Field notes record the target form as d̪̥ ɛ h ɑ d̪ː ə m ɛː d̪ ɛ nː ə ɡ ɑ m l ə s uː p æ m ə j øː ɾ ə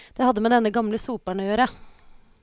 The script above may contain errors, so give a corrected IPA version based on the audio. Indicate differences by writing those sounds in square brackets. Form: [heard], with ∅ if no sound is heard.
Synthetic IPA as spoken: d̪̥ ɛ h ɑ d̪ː ə m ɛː d̪ ɛ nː ə ɡ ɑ m l ə s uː p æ [ɳ] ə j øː ɾ ə